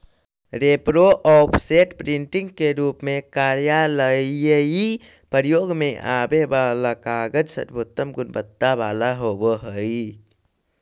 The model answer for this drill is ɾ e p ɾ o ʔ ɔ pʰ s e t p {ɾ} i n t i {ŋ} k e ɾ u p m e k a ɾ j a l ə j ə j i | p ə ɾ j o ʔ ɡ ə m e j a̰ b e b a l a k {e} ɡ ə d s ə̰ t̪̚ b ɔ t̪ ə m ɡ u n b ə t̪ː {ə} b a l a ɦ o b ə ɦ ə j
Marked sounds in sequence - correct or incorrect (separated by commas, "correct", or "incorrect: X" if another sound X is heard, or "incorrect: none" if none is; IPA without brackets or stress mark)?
correct, correct, incorrect: a, incorrect: a